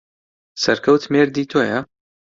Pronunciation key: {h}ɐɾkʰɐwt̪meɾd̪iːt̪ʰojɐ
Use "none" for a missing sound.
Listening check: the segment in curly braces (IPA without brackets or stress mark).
s